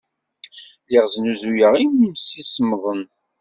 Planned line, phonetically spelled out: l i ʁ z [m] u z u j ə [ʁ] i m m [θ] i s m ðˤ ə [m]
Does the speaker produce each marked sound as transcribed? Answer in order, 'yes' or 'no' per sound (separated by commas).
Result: no, yes, no, no